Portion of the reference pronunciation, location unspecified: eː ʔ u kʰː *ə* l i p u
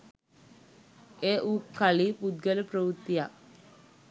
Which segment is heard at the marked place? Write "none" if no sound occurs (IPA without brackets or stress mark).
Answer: a